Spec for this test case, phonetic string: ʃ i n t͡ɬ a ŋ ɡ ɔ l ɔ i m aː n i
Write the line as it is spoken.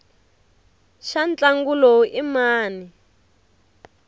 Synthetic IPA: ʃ a n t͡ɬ a ŋ ɡ u l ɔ i m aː n i